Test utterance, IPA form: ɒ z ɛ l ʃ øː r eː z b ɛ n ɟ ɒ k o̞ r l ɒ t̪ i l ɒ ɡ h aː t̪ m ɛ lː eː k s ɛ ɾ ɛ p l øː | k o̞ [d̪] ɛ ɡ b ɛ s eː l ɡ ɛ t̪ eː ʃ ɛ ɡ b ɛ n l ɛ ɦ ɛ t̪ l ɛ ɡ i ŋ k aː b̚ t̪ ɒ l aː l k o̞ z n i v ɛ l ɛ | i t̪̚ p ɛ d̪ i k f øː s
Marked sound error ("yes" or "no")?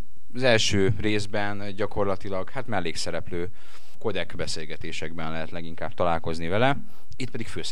no